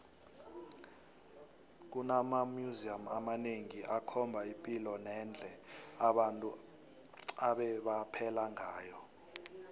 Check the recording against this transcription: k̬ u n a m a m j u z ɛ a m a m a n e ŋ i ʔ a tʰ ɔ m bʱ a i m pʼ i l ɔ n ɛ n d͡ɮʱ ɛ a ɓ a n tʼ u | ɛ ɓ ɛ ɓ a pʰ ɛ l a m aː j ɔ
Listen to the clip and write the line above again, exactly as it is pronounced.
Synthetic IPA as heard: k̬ u n a m a m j u z i a m a m a n e ŋ i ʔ a kʰ ɔ m bʱ a i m pʼ i l ɔ n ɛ n d͡ɮʱ ɛ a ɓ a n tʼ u | a ɓ ɛ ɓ a pʰ ɛ l a ŋ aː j ɔ